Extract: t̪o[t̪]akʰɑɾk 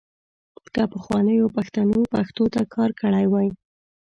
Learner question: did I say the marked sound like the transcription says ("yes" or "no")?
yes